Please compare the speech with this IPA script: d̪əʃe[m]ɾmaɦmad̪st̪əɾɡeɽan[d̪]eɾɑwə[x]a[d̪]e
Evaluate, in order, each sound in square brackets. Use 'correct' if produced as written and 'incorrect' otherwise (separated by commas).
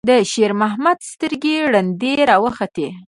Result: incorrect, correct, correct, incorrect